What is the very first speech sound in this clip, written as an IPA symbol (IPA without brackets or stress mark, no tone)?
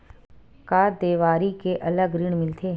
k